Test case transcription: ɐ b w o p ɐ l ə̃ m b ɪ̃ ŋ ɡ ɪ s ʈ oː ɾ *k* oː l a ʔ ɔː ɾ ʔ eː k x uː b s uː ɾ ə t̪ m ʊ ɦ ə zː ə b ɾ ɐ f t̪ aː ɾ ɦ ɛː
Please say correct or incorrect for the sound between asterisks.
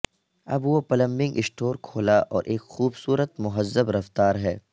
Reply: incorrect